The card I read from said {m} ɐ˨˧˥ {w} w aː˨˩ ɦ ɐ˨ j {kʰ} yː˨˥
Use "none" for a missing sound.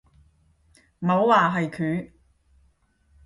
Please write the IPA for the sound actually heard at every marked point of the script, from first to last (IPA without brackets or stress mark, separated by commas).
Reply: m, w, kʰ